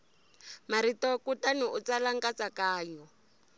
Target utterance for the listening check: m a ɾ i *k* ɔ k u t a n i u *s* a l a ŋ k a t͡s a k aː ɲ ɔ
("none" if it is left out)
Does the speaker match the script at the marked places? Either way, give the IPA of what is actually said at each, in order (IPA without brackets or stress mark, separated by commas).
t, t͡s